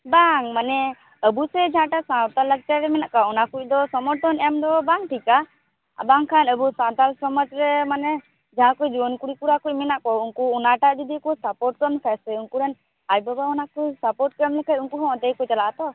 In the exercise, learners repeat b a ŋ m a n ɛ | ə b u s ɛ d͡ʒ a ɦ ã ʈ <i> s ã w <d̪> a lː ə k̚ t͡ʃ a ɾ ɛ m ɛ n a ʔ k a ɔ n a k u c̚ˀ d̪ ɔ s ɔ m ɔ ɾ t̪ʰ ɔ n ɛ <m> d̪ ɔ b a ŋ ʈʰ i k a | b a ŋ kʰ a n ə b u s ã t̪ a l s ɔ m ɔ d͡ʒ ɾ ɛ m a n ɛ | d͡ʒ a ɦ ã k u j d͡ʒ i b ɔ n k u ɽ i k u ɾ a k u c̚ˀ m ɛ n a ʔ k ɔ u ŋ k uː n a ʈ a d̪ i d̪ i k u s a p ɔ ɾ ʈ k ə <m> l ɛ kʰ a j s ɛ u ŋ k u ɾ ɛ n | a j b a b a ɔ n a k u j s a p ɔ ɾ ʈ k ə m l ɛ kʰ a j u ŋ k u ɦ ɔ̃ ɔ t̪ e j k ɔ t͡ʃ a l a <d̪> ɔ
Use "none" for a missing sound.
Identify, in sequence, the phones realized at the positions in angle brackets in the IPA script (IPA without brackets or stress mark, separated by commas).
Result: a, t̪, m, m, t̪